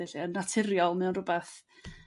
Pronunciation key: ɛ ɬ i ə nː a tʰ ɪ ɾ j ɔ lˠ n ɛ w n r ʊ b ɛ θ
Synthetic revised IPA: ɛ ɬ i ə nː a tʰ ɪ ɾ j ɔ lˠ m ɛ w n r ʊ b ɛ θ